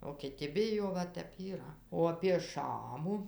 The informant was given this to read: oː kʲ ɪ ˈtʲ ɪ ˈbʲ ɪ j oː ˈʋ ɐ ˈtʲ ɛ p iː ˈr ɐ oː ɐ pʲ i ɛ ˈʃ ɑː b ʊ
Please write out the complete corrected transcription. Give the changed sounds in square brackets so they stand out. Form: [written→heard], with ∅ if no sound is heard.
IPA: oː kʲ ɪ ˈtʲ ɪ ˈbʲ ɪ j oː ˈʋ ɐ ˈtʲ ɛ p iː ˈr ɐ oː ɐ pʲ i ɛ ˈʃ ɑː [b→m] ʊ